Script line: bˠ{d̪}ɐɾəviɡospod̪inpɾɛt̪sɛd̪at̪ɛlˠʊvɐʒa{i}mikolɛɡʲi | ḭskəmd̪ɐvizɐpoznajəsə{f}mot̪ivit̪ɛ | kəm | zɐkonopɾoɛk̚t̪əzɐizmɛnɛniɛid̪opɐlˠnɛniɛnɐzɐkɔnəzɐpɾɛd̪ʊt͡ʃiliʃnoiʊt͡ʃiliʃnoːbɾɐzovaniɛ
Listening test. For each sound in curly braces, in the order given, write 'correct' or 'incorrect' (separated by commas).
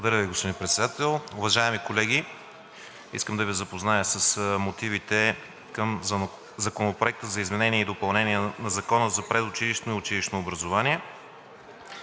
correct, incorrect, incorrect